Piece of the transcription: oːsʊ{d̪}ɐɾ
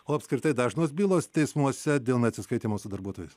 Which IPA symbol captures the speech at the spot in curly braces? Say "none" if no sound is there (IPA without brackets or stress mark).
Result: d̪